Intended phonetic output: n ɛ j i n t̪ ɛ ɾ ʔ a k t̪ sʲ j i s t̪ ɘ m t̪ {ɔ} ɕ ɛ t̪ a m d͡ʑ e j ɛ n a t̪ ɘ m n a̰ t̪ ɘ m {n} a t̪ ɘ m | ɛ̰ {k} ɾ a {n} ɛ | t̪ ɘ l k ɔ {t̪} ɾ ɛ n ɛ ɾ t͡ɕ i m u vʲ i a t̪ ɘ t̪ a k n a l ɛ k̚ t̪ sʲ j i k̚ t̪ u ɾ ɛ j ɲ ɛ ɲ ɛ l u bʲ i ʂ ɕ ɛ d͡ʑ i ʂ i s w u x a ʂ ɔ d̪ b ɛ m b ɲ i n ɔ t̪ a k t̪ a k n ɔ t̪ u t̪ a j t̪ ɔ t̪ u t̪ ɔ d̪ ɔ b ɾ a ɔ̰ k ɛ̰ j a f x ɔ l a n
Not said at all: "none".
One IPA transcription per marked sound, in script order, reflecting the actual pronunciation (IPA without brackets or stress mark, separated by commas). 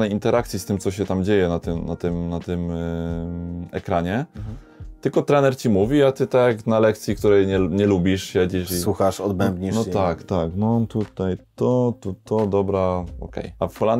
ɔ, n, k, ɲ, t̪